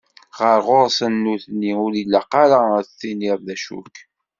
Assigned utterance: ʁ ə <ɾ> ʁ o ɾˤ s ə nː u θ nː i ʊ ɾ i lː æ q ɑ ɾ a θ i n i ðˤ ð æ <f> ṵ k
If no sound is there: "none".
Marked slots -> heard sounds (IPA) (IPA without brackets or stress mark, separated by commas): ɾ, ʃ